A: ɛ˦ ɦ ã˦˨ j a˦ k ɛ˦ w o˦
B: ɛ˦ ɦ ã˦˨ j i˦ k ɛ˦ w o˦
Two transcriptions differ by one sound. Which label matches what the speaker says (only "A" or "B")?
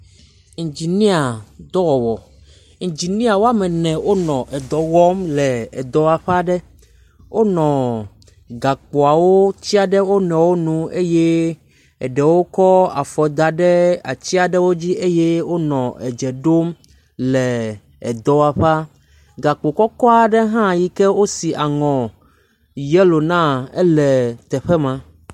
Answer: B